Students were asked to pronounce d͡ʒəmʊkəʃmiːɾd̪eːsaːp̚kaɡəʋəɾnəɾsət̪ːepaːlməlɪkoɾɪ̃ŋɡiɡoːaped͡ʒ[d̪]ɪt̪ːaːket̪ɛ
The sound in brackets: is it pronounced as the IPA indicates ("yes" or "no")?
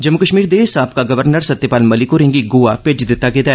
yes